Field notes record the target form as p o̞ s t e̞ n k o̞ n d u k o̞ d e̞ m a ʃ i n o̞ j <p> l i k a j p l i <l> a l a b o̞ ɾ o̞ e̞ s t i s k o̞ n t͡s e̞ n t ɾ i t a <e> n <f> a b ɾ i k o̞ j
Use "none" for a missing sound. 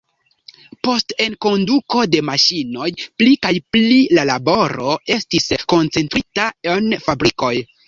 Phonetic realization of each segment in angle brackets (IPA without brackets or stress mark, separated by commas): p, l, e, f